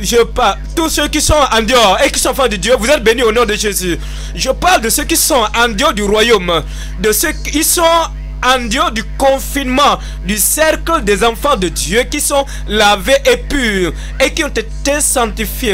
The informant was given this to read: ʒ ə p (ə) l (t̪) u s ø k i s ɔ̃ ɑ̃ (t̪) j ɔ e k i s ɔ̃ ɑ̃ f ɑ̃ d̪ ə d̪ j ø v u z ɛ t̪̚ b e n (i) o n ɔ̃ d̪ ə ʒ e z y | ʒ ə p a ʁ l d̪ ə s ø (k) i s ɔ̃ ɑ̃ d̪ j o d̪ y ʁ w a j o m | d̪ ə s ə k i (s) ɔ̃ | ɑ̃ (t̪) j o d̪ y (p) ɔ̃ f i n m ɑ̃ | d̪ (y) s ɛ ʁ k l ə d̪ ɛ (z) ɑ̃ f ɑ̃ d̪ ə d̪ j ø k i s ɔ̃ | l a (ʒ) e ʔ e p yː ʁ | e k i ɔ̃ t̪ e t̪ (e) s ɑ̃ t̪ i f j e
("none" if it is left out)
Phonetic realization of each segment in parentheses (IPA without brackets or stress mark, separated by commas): a, t̪, d̪, y, k, s, d̪, k, y, z, v, e